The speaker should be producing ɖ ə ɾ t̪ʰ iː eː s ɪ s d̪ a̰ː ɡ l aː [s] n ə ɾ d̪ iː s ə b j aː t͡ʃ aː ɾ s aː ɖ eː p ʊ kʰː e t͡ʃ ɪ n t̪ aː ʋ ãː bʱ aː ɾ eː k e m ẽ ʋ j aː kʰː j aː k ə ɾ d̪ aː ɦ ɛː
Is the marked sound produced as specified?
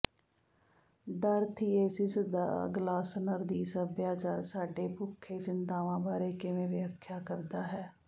yes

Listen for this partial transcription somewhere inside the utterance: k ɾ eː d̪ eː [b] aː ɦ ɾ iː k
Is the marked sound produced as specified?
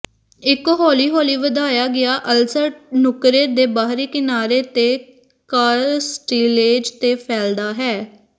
yes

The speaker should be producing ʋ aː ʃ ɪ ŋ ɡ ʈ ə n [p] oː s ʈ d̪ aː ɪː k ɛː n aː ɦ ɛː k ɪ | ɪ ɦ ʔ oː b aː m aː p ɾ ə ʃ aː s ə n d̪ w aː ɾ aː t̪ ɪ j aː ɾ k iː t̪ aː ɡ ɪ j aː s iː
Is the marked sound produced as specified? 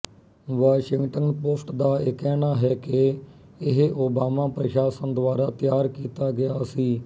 yes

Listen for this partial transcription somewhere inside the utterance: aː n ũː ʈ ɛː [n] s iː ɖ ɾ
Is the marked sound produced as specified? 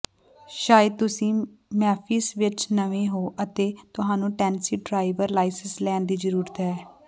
yes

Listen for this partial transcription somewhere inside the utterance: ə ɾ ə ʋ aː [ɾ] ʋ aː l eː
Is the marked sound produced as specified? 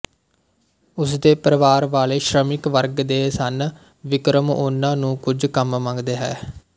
yes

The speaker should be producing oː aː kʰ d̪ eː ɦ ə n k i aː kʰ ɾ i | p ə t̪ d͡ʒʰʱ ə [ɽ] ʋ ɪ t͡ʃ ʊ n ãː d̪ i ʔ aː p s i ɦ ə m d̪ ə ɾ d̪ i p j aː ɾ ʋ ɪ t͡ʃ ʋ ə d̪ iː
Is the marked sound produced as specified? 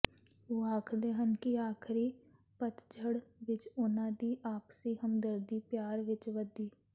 yes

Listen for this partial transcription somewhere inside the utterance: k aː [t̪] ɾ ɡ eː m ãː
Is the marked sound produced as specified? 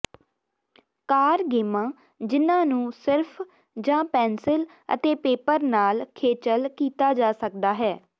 no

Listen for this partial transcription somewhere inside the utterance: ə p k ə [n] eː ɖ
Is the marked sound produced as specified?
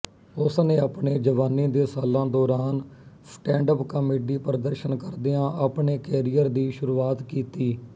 no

